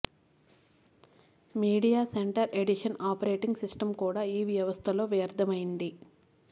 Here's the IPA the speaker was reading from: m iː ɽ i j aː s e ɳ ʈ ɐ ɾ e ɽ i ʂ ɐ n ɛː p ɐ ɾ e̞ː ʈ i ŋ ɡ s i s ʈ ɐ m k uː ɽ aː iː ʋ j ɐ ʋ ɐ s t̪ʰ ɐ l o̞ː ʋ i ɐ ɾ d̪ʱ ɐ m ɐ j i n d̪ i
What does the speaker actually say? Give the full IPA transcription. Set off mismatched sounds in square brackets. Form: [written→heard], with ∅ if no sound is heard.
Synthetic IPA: m iː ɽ i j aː s e ɳ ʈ ɐ ɾ e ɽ i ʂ ɐ n [ɛː→aː] p ɐ ɾ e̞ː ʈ i ŋ ɡ s i s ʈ ɐ m k uː ɽ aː iː ʋ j ɐ ʋ ɐ s t̪ʰ ɐ l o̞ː ʋ [i→j] ɐ ɾ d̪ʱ ɐ m ɐ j i n d̪ i